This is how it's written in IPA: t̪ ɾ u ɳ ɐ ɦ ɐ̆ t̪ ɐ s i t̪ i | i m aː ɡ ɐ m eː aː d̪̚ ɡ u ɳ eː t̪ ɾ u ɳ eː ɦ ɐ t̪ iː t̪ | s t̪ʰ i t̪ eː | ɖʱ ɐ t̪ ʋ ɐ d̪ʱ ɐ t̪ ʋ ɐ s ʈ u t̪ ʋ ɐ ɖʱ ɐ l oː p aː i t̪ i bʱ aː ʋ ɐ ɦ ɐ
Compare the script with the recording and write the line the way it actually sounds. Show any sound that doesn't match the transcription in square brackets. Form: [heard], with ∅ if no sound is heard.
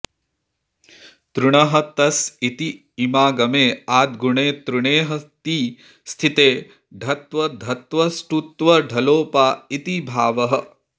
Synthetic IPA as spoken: t̪ ɾ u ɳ ɐ ɦ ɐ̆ t̪ ɐ s i t̪ i | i m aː ɡ ɐ m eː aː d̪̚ ɡ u ɳ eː t̪ ɾ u ɳ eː ɦ ɐ t̪ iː [∅] | s t̪ʰ i t̪ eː | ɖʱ ɐ t̪ ʋ ɐ d̪ʱ ɐ t̪ ʋ ɐ s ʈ u t̪ ʋ ɐ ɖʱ ɐ l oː p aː i t̪ i bʱ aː ʋ ɐ ɦ ɐ